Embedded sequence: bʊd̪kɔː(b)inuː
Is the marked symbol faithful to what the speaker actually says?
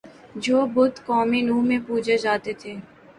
no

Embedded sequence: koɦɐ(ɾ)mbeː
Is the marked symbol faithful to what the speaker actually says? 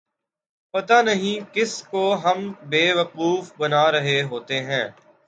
no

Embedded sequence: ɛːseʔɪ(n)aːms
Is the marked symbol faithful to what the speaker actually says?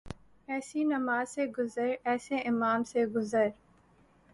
no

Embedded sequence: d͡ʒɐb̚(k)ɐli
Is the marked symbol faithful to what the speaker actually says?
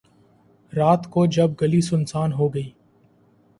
no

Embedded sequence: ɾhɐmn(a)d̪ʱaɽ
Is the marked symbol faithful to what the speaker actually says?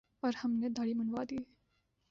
no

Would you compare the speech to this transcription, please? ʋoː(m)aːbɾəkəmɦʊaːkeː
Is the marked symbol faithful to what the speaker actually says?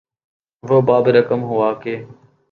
no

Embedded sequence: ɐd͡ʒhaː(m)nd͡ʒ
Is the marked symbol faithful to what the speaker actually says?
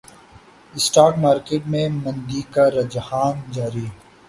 no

